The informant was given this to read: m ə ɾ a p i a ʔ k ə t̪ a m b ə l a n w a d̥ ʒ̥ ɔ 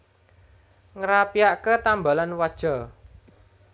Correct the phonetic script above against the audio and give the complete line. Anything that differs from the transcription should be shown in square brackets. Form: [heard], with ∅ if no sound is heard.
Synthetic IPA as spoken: [ŋ] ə ɾ a p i a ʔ k ə t̪ a m b [a] l a n w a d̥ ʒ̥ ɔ